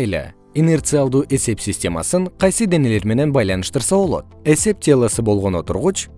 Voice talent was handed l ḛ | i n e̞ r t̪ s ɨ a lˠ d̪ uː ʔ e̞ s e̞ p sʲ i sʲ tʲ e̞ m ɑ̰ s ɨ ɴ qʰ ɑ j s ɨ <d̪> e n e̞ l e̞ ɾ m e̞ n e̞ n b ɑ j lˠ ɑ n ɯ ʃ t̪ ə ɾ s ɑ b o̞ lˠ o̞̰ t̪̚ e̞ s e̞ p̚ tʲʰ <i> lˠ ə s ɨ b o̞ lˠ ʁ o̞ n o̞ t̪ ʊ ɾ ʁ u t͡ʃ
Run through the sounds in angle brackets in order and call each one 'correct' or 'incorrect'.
correct, incorrect: e

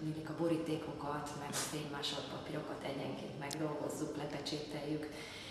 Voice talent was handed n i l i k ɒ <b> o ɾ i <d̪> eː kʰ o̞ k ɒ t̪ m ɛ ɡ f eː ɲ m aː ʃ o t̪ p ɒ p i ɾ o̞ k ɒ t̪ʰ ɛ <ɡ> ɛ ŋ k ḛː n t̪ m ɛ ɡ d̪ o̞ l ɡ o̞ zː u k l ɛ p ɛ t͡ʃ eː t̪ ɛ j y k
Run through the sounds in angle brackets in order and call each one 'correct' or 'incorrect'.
correct, incorrect: t̪, incorrect: ɟ

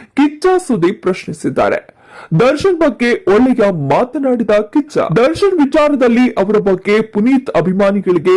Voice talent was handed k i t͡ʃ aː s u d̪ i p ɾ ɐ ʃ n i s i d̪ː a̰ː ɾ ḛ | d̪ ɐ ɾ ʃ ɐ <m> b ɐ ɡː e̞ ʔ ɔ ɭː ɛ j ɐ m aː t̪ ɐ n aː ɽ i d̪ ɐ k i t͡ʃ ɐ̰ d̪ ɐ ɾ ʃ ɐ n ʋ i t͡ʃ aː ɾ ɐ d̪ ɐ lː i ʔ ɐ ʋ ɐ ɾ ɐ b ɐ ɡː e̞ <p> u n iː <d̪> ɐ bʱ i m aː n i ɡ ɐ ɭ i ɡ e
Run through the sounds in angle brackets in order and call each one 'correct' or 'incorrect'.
incorrect: n, correct, incorrect: t̪

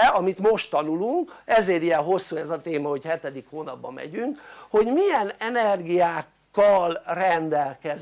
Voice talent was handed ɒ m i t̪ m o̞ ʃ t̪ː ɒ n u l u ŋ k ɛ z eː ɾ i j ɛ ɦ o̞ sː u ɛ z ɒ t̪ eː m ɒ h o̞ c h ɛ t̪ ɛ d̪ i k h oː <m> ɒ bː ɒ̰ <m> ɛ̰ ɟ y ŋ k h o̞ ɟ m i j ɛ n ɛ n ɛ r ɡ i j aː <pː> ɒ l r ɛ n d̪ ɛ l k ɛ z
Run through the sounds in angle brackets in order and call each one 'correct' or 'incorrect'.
incorrect: n, correct, incorrect: kː

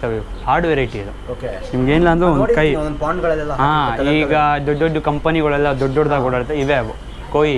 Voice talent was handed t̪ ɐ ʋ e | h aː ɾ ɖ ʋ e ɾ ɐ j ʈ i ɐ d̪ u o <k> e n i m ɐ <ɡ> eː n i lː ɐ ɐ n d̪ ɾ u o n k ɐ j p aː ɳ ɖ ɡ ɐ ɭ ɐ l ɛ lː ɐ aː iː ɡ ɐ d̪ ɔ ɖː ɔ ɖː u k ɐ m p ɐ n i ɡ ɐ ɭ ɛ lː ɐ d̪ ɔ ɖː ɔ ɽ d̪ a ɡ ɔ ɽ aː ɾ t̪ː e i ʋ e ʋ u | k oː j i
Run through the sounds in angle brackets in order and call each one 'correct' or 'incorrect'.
correct, correct

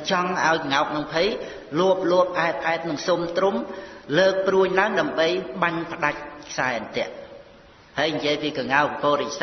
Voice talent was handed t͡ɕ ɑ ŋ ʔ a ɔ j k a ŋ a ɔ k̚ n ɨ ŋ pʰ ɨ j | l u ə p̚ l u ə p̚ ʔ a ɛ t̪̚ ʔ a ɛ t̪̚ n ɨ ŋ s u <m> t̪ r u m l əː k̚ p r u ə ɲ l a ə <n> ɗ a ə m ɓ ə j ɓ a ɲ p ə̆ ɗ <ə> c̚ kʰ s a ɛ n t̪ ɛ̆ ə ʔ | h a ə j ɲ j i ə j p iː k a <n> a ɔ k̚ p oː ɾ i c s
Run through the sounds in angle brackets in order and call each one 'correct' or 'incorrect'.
correct, incorrect: ŋ, incorrect: a, incorrect: ŋ

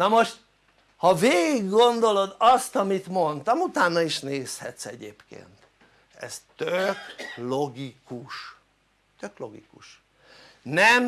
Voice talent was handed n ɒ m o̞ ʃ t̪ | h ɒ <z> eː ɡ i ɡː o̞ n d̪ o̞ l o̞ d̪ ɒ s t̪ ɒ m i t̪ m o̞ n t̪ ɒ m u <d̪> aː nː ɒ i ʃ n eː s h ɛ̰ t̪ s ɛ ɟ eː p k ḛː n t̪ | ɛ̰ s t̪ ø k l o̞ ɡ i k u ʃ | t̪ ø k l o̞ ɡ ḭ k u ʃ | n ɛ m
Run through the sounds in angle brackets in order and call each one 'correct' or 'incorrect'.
incorrect: v, incorrect: t̪

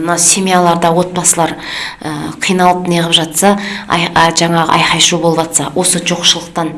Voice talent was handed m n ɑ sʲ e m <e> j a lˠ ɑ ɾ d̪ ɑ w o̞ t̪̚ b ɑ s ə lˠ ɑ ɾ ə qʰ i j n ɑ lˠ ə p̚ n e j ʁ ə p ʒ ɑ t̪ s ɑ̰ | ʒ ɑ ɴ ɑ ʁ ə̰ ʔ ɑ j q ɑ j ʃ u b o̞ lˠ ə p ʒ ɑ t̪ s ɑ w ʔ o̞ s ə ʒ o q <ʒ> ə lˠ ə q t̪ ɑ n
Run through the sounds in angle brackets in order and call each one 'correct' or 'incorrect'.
incorrect: i, incorrect: ʃ

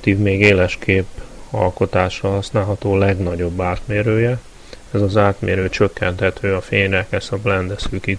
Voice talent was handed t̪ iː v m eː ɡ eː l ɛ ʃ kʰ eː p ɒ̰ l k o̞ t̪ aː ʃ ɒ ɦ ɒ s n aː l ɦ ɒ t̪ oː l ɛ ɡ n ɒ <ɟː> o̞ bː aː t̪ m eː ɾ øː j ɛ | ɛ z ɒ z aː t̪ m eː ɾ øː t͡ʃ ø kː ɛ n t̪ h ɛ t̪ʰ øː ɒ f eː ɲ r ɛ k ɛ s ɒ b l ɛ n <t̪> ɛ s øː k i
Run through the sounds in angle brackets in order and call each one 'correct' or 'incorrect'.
incorrect: ɟ, incorrect: d̪

